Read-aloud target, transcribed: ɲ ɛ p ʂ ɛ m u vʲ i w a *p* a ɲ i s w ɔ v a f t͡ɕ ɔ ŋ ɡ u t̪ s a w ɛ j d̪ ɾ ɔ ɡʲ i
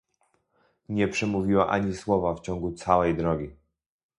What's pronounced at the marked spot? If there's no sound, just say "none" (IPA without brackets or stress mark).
ʔ